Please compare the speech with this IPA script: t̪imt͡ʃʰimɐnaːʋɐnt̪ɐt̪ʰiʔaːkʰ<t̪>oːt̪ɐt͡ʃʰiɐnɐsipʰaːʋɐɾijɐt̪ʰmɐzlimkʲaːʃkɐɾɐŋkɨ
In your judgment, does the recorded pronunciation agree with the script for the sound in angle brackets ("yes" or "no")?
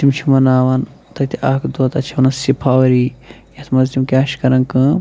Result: no